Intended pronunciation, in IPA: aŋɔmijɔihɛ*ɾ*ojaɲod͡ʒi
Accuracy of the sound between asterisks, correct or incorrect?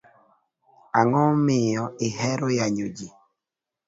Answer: correct